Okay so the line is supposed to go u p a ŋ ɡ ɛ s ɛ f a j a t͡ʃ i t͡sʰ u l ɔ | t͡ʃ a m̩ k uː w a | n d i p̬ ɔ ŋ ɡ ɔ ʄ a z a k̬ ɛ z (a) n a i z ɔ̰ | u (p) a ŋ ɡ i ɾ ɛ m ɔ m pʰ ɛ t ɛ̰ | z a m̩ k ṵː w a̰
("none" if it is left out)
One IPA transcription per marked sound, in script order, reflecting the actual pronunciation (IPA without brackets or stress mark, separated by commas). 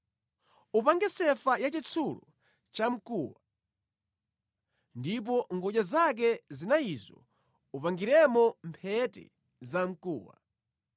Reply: i, p